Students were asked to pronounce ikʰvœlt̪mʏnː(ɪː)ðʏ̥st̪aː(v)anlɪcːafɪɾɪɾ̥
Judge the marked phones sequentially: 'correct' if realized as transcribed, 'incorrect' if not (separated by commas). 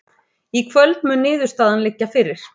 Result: correct, incorrect